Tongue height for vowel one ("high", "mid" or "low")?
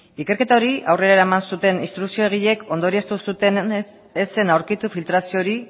high